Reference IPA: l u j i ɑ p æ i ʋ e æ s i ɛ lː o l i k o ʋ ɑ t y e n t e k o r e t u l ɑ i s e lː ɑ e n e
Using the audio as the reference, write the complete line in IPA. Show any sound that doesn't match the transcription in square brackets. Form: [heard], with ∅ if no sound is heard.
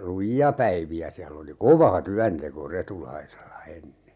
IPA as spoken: l u j i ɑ p æ i ʋ [i] æ s i [æ] lː o l i k o ʋ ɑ t y [æ] n t e k o r e t u l ɑ i s e lː ɑ e [nː] e